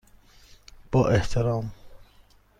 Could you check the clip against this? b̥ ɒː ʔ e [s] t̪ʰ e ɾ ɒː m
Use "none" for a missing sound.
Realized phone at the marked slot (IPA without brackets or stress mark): h